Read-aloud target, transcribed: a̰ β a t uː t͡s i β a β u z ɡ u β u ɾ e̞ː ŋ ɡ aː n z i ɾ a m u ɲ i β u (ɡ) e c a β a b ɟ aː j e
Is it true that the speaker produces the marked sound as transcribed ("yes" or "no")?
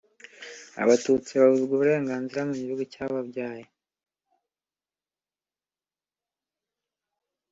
yes